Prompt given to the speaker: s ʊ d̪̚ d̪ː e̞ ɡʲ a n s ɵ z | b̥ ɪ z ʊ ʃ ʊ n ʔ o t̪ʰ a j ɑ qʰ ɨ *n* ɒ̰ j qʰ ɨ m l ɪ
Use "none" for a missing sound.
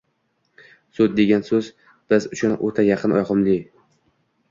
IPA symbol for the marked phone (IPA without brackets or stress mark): n